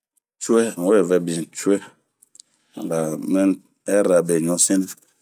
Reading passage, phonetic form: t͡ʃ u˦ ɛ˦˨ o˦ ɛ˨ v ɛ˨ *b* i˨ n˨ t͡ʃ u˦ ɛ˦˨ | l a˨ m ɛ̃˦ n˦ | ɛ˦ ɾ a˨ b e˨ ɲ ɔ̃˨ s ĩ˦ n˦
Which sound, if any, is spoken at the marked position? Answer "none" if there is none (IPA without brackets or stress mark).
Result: b